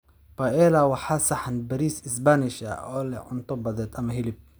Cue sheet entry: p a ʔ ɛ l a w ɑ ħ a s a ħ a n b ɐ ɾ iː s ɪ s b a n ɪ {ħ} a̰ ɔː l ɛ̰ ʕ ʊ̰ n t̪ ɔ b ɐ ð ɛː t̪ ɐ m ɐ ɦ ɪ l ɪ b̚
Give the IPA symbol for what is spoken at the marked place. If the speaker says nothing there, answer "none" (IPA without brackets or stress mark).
ʃ